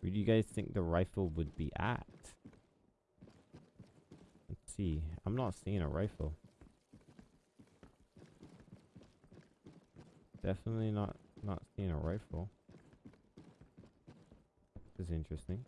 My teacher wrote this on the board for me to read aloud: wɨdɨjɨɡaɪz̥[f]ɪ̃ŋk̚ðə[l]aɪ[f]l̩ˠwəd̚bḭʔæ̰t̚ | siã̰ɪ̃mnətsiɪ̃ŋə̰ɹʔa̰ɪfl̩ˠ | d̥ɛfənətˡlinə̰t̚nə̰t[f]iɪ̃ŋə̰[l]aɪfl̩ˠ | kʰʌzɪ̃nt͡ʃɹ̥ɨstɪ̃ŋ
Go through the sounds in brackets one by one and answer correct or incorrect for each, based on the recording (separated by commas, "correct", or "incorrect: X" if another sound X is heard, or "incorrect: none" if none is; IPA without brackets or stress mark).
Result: incorrect: θ, incorrect: ɹ, correct, incorrect: s, incorrect: ɹ